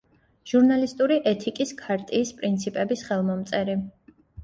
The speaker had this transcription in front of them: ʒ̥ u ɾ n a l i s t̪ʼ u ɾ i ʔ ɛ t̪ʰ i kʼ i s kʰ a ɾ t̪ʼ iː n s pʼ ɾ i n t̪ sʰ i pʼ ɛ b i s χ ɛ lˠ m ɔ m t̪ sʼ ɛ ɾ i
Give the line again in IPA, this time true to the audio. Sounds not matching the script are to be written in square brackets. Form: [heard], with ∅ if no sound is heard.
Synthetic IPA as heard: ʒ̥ u ɾ n a l i s t̪ʼ u ɾ i ʔ ɛ t̪ʰ i kʼ i s kʰ a ɾ t̪ʼ iː [∅] s pʼ ɾ i n t̪ sʰ i pʼ ɛ b i s χ ɛ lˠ m ɔ m t̪ sʼ ɛ ɾ i